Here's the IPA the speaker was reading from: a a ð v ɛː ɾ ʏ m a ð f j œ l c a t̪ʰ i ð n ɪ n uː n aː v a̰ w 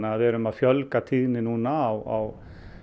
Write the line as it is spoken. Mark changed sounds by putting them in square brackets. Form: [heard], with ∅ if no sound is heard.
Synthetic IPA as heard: a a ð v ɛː ɾ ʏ m a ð f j œ l [k] a t̪ʰ i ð n ɪ n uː n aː [w] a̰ w